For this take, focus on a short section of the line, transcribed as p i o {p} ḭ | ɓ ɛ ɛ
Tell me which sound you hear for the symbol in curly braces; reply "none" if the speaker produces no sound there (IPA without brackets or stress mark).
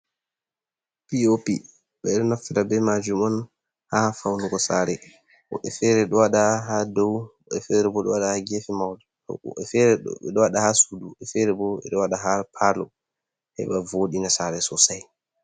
p